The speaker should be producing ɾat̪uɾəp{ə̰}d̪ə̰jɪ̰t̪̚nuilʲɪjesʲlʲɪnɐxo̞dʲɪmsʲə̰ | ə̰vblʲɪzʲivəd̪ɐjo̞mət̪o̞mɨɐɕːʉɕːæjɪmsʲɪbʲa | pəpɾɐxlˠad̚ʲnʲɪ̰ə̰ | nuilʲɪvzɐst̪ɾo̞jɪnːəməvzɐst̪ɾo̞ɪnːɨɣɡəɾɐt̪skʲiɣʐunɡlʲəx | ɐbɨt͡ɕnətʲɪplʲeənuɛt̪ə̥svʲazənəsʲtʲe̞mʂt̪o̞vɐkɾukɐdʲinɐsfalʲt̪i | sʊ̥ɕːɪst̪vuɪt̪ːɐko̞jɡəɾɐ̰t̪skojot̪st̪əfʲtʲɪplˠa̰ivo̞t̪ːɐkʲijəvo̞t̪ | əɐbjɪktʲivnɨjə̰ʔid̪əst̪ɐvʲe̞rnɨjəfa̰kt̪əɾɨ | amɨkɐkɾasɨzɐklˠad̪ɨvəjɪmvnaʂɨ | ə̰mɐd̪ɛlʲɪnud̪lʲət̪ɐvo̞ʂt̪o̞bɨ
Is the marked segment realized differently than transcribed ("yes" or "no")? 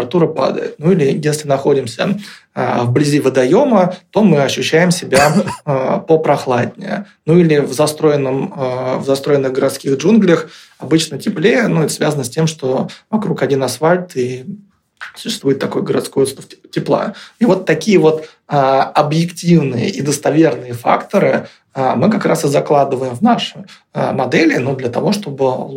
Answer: yes